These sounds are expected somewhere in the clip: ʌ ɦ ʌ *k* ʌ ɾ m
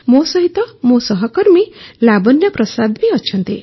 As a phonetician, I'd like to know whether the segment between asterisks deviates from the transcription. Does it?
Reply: no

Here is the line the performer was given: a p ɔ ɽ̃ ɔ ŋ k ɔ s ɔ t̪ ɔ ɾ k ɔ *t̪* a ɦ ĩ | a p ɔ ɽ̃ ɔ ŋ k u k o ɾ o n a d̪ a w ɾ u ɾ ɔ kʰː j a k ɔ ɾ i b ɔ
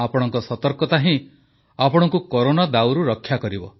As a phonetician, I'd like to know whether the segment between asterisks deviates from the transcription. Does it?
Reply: no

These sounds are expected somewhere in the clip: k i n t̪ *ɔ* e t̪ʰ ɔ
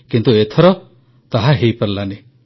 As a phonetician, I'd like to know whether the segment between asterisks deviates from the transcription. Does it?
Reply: yes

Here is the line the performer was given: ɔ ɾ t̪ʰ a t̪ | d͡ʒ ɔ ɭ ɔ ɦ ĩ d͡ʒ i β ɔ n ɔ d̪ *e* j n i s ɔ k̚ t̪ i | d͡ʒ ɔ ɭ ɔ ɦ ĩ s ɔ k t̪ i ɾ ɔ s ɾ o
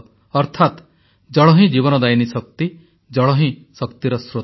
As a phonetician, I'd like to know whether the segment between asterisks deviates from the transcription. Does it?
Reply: yes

